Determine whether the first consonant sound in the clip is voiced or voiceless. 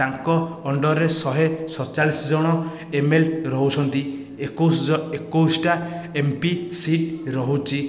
voiced